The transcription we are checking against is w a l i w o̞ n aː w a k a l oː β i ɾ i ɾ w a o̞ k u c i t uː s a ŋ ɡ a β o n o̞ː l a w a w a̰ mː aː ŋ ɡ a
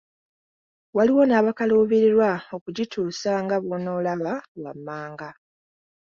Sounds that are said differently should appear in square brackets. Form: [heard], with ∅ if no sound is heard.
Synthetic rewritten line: w a l i w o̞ n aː [β] a k a l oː β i ɾ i ɾ w a o̞ k u [ɟ] i t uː s a ŋ ɡ a β o n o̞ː l a [β] a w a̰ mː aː ŋ ɡ a

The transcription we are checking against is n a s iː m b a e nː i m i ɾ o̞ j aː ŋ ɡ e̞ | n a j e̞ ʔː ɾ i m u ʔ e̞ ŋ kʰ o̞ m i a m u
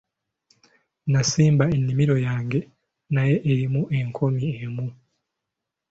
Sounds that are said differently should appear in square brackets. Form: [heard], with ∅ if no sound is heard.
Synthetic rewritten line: n a s iː m b a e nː i m i ɾ o̞ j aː ŋ ɡ e̞ | n a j e̞ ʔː ɾ i m u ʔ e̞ ŋ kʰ o̞ m i [e] m u

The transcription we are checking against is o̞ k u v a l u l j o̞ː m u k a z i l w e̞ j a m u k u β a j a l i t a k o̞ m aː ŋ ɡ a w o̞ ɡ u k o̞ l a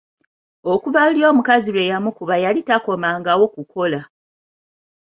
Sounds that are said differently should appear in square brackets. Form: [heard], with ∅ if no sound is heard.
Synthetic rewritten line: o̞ k u v a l u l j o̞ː m u k a z i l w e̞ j a m u k u β a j a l i t a k o̞ m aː ŋ ɡ a w o̞ [k] u k o̞ l a

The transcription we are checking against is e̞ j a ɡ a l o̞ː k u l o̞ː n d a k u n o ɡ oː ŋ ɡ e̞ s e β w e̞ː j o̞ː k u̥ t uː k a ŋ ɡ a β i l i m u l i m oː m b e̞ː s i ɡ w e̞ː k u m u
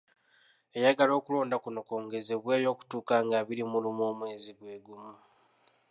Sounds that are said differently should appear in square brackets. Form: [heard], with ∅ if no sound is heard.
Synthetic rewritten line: e̞ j a ɡ a l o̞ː k u l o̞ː n d a k u n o [k] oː ŋ ɡ e̞ [z] e β w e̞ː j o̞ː k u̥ t uː k a ŋ ɡ a β i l i m u l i m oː m [w] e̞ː [z] i ɡ w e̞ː [ɡ] u m u

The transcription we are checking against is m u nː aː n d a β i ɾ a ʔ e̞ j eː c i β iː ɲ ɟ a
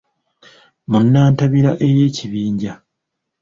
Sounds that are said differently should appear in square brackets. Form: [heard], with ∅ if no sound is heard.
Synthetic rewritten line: m u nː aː n [t] a β i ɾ a ʔ e̞ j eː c i β iː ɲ ɟ a

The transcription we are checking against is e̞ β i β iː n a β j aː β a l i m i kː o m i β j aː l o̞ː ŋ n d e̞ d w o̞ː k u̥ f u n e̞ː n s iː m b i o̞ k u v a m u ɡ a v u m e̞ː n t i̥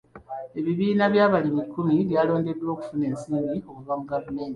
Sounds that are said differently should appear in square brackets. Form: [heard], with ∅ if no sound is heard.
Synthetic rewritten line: e̞ β i β iː n a β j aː β a l i m i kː [u] m i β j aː l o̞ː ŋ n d e̞ d w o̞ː k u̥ f u n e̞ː n s iː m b i o̞ k u v a m u ɡ a v u m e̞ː n t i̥

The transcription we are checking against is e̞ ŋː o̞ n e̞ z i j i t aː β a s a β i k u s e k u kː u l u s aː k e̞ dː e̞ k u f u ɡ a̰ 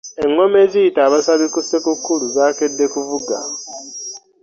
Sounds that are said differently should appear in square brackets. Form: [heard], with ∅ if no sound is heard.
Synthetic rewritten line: e̞ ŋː o̞ [m] e̞ z i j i t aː β a s a β i k u s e k u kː u l u [z] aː k e̞ dː e̞ k u [v] u ɡ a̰

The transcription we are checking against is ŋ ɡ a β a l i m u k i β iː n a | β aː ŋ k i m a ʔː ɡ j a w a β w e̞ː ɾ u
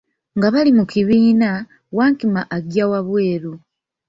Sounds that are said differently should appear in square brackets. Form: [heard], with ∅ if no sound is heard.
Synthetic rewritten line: ŋ ɡ a β a l i m u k i β iː n a | [w] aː ŋ k i m a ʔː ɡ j a w a β w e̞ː ɾ u

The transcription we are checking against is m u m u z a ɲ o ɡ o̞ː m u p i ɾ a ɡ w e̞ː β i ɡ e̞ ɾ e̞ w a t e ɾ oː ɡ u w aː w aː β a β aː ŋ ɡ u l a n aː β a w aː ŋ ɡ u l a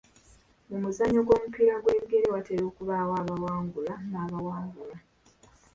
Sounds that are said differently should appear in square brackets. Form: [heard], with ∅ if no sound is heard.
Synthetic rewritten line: m u m u z a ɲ o ɡ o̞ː m u p i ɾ a ɡ w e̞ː β i ɡ e̞ ɾ e̞ w a t e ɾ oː [k] u [β] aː w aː β a [w] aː ŋ ɡ u l a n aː β a w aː ŋ ɡ u l a

